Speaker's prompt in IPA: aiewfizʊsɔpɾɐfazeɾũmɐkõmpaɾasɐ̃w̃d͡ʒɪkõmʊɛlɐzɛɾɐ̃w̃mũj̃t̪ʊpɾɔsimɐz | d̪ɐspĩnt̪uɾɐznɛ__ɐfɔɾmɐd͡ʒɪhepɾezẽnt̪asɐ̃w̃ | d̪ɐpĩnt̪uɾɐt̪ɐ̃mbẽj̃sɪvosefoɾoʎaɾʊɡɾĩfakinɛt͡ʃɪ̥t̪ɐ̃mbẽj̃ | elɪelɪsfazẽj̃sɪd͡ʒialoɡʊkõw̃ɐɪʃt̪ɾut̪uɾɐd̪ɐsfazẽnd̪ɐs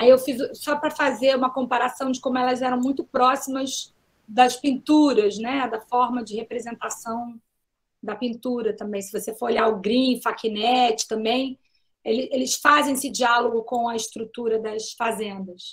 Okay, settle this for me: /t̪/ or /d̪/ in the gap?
d̪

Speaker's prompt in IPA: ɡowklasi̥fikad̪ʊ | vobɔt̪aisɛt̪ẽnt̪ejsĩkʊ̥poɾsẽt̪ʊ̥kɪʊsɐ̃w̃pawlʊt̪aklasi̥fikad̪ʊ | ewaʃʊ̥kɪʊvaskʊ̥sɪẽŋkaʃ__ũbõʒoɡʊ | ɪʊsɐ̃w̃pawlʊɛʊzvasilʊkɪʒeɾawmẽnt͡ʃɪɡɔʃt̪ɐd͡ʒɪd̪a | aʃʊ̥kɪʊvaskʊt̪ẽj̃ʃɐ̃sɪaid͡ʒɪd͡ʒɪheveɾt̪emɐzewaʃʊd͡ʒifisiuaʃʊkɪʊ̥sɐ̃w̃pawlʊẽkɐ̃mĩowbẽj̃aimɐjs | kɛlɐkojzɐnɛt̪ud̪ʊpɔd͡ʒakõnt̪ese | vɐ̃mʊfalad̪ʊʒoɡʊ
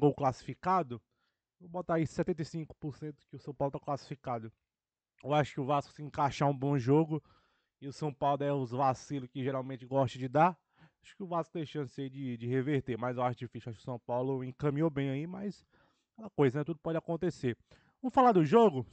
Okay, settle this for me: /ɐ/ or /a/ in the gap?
a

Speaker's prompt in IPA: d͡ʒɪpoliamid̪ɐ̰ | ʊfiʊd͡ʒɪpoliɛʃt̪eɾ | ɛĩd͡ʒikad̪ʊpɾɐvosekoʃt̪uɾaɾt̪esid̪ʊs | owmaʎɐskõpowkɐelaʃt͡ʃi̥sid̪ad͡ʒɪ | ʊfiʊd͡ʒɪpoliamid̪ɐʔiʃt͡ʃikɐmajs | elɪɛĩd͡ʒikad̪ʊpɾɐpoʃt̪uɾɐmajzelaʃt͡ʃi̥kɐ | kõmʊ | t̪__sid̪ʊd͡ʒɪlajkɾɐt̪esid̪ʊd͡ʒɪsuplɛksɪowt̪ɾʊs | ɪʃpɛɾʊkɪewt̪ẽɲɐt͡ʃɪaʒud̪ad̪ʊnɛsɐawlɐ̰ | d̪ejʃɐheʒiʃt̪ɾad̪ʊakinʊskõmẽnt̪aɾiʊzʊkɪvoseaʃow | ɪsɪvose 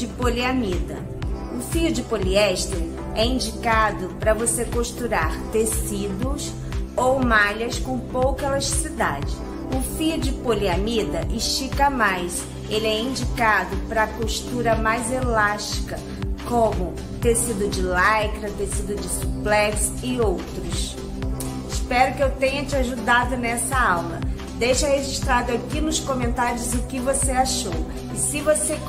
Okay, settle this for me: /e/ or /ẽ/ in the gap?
e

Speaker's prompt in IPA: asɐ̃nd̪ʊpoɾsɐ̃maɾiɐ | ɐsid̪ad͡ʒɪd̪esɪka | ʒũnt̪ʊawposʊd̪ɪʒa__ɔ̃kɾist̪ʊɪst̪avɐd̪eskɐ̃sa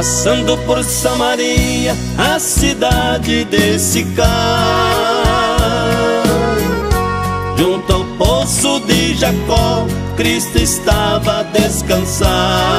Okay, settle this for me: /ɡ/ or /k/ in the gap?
k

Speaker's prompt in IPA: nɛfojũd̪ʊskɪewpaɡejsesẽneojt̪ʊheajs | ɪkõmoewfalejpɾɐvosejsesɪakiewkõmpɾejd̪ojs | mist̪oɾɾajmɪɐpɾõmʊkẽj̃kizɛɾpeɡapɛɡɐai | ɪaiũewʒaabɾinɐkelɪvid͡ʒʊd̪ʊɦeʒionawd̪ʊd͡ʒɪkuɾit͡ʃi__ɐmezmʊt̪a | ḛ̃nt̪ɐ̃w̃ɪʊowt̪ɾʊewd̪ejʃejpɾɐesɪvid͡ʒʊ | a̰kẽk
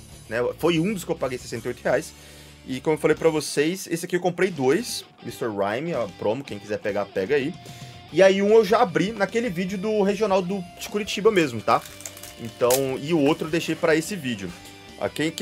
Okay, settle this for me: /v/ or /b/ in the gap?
b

